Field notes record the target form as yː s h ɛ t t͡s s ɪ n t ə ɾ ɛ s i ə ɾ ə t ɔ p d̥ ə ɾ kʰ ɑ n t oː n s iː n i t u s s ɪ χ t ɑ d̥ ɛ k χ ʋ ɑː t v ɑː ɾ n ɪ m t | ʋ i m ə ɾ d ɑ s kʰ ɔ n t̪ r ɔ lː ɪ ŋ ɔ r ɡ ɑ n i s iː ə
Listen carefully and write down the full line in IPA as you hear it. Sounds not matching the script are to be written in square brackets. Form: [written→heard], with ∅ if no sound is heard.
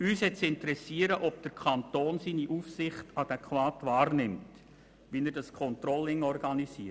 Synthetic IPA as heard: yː s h ɛ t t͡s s ɪ n t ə ɾ ɛ s i ə ɾ ə [t→ʔ] ɔ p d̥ ə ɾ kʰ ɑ n t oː n s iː n i [t→ʔ] u [s→f] s ɪ χ t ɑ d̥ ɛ k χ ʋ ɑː t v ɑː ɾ n ɪ m t | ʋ i [m→n] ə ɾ d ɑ s kʰ ɔ n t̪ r ɔ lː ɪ ŋ ɔ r ɡ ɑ n i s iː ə